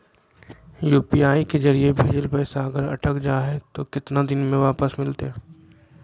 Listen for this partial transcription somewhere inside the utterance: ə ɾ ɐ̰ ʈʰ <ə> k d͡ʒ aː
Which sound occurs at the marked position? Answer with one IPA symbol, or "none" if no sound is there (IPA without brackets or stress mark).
ə